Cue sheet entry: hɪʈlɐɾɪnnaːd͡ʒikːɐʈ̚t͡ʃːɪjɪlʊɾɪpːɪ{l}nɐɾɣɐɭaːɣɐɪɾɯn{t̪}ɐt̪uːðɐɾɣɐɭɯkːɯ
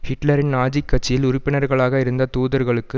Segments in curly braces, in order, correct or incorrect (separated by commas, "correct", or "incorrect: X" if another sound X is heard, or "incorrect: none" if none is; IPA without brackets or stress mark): incorrect: none, incorrect: d̪